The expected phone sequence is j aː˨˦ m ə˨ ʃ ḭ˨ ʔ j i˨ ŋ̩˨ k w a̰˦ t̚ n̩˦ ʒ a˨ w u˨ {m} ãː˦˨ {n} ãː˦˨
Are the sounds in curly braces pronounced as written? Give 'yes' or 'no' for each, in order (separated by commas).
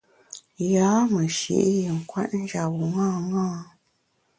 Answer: no, no